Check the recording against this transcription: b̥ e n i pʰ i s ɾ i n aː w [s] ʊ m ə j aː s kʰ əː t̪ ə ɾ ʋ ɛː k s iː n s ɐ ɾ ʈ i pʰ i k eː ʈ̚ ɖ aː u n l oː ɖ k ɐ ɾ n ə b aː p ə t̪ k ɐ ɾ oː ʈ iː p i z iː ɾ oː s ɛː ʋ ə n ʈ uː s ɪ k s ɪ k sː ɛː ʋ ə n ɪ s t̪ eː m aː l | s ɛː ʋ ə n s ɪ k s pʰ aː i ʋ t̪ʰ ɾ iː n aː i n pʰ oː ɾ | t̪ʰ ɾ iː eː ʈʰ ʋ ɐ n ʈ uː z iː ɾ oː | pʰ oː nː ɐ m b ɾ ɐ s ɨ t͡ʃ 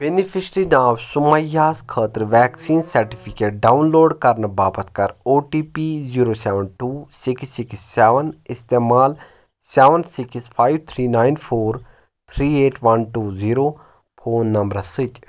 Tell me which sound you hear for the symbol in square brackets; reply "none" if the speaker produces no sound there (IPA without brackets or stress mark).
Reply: s